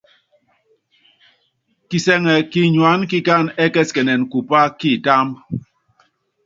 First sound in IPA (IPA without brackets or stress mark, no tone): k